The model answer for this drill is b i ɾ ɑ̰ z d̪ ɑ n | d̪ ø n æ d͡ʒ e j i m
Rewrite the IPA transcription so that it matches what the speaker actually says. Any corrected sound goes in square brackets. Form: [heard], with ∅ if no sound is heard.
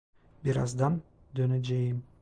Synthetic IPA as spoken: b i ɾ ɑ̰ z d̪ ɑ n | d̪ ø n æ d͡ʒ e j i m